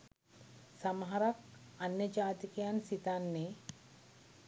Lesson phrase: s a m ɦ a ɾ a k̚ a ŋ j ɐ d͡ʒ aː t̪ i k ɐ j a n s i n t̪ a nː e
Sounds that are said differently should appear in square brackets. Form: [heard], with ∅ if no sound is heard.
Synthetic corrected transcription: s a m ɦ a ɾ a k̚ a [n] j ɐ d͡ʒ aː t̪ i k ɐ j a n s i [∅] t̪ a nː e